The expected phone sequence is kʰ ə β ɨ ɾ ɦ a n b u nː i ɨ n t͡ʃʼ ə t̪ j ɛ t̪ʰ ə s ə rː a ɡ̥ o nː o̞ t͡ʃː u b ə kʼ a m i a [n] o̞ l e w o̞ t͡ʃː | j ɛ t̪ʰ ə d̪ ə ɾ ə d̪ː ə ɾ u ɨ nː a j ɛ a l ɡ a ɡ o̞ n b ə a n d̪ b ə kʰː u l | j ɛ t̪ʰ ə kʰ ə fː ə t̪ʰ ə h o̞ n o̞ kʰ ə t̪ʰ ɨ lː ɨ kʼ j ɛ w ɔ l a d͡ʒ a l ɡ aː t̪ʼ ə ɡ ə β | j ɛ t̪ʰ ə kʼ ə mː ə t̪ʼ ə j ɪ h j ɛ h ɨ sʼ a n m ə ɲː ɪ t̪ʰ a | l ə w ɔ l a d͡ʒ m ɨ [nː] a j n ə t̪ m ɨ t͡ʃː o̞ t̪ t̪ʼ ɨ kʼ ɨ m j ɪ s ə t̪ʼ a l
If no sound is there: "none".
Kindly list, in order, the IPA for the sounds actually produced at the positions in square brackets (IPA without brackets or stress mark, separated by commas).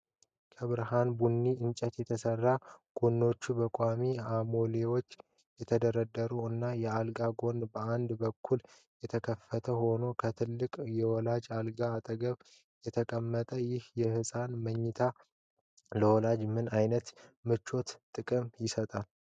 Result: m, n